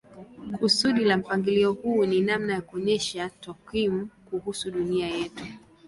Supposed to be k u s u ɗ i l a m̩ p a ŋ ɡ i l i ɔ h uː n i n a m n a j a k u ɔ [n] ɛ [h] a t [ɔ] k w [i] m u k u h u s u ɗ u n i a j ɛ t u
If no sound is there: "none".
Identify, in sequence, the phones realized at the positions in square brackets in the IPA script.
ɲ, ʃ, ɔ, i

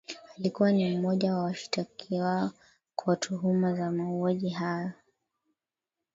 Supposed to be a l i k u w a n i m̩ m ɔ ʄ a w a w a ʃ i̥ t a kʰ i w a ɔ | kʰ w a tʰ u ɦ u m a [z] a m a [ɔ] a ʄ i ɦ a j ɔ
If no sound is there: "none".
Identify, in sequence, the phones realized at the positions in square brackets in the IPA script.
z, u

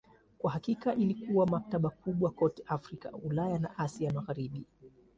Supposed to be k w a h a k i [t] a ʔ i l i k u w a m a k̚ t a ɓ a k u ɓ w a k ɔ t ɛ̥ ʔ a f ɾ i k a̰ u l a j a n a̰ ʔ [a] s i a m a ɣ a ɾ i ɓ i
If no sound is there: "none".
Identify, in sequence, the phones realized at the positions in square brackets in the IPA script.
k, a

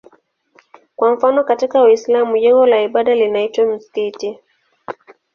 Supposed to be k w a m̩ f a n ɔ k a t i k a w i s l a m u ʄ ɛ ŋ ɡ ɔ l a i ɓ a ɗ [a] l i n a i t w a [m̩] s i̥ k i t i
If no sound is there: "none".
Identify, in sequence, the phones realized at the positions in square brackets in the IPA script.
a, m̩

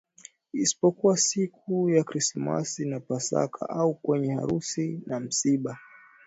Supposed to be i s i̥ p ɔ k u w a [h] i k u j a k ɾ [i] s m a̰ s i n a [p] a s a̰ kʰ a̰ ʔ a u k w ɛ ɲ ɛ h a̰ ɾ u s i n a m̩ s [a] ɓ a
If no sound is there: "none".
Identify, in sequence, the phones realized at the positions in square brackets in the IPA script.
s, i, p, i

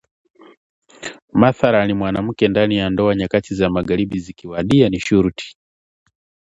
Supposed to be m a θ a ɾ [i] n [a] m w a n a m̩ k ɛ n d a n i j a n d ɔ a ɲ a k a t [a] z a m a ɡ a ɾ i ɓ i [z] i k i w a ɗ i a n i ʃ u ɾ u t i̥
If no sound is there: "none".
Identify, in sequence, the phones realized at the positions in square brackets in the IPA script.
a, i, i, z

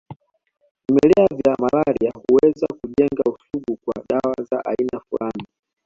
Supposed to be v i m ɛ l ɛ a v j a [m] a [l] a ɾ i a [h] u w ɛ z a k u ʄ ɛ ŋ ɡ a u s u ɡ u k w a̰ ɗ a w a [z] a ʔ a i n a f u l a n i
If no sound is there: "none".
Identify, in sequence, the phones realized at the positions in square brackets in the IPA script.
m, l, h, z

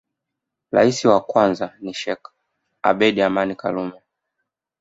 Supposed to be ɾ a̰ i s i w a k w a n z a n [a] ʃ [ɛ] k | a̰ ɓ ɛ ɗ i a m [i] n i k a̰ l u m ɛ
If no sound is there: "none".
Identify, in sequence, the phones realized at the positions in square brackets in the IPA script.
i, ɛ, a

